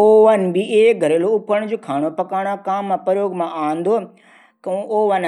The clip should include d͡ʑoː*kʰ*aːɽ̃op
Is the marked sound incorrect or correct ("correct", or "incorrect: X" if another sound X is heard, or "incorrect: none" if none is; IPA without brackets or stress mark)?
correct